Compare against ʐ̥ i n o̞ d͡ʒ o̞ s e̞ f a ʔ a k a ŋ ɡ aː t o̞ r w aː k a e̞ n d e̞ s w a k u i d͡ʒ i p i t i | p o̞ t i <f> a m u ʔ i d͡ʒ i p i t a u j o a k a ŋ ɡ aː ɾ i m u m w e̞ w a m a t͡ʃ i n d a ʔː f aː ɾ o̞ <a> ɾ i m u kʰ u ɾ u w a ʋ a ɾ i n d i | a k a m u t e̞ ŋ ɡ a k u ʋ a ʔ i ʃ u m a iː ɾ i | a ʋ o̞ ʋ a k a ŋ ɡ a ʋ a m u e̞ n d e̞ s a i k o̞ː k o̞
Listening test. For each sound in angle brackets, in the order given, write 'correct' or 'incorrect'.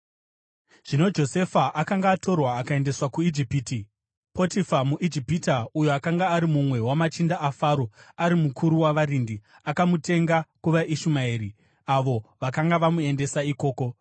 correct, correct

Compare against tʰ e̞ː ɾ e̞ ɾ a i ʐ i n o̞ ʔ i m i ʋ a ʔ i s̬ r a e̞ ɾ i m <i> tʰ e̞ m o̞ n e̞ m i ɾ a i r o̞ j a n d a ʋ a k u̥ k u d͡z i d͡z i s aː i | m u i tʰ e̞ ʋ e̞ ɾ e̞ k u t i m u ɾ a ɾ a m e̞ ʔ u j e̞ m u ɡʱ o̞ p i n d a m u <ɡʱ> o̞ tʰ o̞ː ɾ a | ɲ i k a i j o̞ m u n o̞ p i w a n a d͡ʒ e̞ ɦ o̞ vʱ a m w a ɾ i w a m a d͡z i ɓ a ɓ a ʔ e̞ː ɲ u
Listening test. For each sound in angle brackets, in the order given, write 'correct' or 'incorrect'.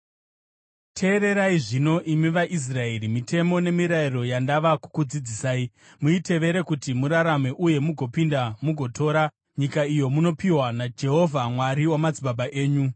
correct, correct

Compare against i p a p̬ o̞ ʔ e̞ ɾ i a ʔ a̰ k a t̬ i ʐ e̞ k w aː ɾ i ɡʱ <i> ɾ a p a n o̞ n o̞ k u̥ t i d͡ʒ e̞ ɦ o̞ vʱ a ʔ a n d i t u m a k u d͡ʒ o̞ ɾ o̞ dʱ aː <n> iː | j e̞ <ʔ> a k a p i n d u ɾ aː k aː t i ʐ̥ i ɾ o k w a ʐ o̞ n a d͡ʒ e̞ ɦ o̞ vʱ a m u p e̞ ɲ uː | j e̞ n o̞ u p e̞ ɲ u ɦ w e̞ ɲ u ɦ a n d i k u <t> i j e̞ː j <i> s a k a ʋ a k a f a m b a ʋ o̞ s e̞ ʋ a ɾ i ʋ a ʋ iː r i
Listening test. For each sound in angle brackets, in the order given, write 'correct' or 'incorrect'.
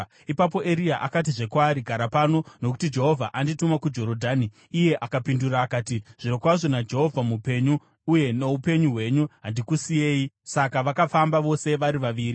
incorrect, correct, correct, incorrect, correct

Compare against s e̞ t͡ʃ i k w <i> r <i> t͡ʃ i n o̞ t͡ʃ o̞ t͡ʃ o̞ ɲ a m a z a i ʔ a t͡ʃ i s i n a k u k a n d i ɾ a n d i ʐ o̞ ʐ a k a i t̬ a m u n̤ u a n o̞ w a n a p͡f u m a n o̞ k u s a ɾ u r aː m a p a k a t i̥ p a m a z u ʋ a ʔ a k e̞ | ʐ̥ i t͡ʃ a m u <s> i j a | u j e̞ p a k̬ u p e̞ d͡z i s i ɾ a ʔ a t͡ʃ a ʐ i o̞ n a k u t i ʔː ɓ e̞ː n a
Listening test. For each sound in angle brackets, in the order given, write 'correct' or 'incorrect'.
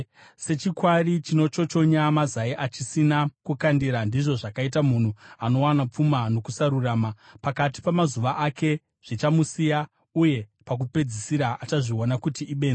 incorrect, correct, correct

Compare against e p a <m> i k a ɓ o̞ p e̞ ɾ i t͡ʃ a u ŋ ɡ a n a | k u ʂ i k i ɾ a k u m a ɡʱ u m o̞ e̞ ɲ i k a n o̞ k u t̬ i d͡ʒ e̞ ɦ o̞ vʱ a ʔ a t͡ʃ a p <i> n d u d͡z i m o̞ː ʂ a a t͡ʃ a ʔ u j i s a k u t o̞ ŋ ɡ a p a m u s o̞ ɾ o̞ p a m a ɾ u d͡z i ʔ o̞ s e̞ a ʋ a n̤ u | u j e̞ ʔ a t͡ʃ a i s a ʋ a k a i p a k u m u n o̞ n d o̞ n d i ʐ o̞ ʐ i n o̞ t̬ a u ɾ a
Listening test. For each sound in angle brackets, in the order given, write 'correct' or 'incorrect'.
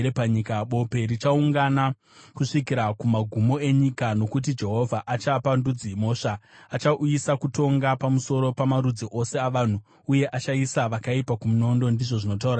incorrect, incorrect

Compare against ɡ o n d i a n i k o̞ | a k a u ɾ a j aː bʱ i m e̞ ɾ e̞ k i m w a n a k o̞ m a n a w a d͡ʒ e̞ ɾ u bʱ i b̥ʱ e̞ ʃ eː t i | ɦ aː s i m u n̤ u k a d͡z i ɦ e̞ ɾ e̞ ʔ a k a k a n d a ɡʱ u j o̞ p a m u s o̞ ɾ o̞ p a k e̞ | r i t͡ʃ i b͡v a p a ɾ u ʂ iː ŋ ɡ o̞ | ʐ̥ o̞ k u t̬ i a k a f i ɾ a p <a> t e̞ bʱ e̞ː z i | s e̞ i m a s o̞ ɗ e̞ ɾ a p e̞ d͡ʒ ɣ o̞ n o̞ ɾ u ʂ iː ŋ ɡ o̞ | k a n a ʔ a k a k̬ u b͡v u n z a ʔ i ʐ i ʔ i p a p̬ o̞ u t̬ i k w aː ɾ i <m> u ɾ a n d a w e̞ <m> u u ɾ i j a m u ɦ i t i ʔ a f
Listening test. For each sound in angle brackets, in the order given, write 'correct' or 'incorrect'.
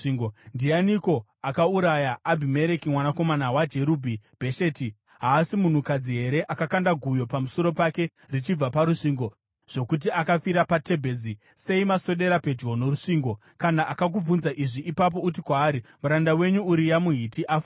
correct, correct, incorrect

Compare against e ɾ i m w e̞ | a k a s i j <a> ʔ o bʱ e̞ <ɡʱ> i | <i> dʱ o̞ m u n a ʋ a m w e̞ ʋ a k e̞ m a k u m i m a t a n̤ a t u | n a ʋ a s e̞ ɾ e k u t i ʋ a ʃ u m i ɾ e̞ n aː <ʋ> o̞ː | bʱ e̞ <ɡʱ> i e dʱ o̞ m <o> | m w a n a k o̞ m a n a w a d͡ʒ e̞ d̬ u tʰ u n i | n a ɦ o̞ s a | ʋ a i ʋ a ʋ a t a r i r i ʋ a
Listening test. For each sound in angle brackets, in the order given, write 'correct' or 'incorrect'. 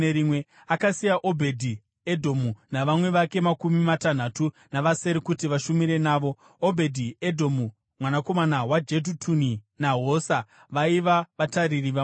correct, incorrect, incorrect, correct, incorrect, incorrect

